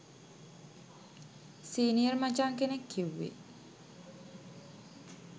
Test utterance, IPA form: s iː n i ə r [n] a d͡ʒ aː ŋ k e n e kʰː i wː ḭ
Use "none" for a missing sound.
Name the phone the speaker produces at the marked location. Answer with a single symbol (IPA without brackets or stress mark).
m